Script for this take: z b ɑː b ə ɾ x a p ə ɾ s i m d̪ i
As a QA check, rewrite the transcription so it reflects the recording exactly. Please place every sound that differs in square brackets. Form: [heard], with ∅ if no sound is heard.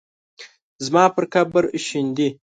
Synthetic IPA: z [m] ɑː [p] ə ɾ [k] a [b] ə ɾ [ʃ] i [n] d̪ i